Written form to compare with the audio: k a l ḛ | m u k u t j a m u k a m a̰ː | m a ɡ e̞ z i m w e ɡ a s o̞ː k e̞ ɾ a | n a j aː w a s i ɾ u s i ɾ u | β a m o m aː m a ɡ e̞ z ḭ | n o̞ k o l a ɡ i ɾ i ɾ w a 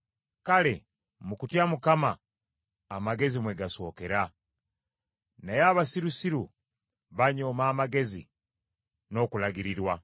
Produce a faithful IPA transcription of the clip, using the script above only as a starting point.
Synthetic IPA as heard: k a l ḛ | m u k u t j a m u k a m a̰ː | m a ɡ e̞ z i m w e ɡ a s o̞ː k e̞ ɾ a | n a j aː β a s i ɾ u s i ɾ u | β a ɲ o m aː m a ɡ e̞ z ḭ | n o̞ k u l a ɡ i ɾ i ɾ w a